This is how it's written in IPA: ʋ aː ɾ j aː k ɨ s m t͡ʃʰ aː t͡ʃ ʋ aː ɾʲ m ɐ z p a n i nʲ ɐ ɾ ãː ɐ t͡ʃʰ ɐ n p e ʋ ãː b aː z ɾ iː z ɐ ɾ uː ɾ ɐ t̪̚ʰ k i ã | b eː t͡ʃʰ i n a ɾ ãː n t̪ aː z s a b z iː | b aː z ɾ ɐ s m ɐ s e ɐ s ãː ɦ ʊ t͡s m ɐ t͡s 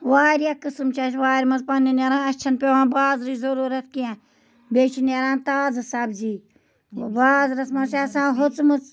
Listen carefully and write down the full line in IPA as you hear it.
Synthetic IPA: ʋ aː ɾ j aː k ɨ s m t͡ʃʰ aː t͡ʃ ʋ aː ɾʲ m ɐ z p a n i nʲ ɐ ɾ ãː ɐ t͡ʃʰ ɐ n p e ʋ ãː b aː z ɾ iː z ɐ ɾ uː ɾ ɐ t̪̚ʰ k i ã | b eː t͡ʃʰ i n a ɾ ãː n t̪ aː z s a b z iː | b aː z ɾ ɐ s m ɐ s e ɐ s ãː ɦ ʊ t͡s m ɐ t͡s